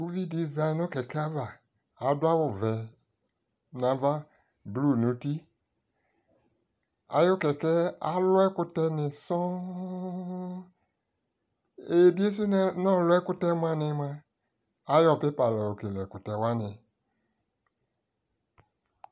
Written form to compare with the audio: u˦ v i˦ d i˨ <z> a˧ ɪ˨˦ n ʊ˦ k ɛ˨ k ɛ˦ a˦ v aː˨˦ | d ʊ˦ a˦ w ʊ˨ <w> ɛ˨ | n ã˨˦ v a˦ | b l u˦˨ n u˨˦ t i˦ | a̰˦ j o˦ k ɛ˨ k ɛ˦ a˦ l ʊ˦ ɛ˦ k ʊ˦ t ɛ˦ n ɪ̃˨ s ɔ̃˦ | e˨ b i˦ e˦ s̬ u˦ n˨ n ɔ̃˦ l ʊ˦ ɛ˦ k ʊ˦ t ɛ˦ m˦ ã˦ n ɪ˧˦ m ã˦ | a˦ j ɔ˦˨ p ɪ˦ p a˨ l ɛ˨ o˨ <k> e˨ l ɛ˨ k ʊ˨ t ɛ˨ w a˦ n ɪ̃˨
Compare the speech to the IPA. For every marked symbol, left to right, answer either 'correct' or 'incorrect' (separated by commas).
correct, incorrect, correct